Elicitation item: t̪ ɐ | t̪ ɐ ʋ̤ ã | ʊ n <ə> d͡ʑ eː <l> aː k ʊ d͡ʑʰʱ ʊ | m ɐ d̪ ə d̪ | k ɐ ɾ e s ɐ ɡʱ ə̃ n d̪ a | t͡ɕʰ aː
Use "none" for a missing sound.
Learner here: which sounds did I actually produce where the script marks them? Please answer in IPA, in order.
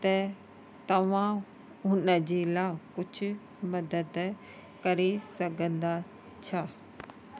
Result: ə, l

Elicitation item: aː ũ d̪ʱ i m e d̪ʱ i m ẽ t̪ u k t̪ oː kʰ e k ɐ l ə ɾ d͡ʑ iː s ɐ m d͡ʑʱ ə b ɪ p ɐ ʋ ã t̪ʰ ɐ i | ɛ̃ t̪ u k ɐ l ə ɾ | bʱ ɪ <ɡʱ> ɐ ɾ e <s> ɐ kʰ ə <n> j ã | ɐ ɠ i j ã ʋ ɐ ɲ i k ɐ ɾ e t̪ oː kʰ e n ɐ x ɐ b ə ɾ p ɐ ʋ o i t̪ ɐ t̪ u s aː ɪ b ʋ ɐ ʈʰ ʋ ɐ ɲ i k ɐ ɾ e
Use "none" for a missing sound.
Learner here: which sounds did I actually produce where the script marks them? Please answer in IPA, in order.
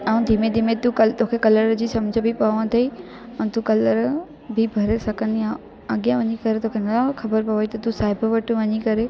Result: bʱ, s, n

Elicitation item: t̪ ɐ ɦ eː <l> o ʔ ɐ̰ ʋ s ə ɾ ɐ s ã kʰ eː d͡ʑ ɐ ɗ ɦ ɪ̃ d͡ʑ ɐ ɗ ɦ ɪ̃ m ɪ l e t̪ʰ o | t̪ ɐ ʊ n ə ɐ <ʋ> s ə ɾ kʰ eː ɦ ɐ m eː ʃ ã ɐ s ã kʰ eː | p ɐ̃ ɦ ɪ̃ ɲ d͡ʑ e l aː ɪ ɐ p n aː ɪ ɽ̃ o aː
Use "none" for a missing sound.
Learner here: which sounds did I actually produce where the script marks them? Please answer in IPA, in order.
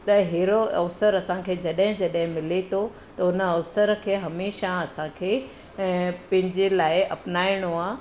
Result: ɾ, ʋ

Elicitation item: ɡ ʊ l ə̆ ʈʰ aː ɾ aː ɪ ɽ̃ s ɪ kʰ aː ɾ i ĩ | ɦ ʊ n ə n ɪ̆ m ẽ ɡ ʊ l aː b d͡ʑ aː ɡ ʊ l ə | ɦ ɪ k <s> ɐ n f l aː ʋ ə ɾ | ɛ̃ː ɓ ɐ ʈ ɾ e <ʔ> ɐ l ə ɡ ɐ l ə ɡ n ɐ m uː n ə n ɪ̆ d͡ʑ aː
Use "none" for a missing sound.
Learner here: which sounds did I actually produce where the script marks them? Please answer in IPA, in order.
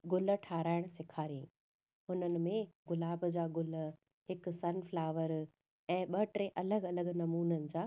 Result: s, ʔ

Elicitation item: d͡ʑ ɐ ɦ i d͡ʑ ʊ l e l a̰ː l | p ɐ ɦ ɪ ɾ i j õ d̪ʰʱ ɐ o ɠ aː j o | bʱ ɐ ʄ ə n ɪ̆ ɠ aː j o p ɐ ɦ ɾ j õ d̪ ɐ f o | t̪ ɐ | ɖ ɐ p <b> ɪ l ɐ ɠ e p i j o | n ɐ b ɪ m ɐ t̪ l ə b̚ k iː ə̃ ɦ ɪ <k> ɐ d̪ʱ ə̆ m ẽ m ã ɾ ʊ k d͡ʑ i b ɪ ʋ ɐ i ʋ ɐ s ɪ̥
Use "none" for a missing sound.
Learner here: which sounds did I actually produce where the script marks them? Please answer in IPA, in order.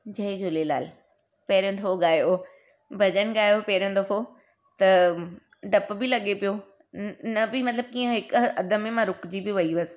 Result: b, k

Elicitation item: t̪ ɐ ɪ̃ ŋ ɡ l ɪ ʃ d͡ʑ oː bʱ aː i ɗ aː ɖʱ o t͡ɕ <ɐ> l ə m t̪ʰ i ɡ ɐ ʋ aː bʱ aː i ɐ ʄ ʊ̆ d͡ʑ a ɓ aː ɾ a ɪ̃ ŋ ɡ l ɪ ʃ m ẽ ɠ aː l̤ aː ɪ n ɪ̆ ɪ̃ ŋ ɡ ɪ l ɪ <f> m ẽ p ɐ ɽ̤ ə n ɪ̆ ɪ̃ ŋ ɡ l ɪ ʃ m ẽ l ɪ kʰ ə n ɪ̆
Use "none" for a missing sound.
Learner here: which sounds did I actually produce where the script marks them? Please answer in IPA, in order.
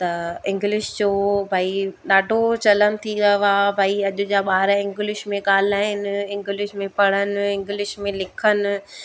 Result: ɐ, ʃ

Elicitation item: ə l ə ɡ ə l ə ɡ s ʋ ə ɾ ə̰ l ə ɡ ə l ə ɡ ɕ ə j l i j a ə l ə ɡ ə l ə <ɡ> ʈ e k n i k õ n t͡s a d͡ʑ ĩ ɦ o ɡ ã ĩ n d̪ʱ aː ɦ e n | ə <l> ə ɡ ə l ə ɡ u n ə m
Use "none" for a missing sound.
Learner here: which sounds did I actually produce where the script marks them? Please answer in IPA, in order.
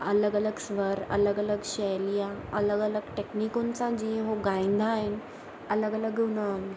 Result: ɡ, l

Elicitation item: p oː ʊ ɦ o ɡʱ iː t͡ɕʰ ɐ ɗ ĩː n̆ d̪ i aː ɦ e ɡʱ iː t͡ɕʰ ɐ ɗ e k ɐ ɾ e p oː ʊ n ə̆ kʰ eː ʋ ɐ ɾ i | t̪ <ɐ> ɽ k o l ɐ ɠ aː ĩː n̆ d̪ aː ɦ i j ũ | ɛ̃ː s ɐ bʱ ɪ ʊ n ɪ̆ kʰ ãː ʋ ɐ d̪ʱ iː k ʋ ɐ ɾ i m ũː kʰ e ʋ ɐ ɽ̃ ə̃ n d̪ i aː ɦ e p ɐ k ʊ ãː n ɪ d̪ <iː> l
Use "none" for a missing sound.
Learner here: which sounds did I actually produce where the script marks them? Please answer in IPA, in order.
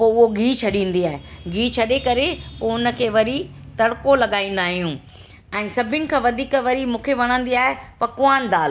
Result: ɐ, aː

